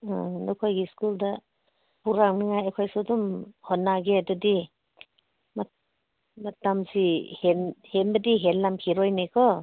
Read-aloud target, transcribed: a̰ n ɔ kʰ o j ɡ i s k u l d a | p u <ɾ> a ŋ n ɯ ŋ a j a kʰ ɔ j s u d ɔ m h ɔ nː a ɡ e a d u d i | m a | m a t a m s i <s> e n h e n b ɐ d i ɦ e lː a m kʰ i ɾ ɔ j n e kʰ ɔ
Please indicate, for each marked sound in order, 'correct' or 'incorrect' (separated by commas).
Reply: correct, incorrect